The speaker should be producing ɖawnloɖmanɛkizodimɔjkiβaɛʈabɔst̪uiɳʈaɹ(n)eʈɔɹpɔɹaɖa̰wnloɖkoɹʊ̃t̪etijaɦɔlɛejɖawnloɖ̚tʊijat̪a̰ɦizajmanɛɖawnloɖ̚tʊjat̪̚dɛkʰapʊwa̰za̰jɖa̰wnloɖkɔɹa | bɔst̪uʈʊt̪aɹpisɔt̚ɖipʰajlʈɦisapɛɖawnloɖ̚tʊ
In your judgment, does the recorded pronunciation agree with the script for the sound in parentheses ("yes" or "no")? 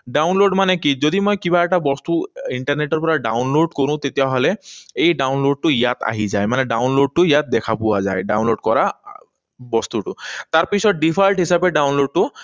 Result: yes